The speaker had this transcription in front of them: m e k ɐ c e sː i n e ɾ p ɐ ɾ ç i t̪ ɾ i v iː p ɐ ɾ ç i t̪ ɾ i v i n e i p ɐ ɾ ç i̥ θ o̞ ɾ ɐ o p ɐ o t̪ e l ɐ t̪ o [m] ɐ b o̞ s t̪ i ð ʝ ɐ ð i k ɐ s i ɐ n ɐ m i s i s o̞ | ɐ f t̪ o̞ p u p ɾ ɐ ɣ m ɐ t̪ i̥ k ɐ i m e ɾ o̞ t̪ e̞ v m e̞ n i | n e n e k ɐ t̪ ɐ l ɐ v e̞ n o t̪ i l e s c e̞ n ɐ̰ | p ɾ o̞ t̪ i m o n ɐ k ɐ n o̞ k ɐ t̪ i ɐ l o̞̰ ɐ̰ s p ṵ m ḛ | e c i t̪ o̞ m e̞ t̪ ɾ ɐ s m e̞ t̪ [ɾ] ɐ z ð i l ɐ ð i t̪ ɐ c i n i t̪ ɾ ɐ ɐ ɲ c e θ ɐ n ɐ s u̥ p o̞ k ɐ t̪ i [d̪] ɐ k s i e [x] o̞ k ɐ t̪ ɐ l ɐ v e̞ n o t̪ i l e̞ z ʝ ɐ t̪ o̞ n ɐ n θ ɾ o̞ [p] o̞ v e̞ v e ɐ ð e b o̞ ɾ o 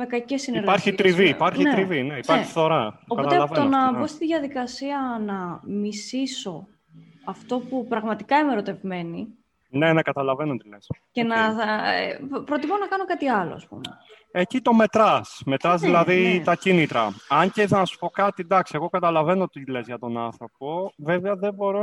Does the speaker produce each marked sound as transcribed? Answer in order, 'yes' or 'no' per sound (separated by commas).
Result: no, yes, yes, no, yes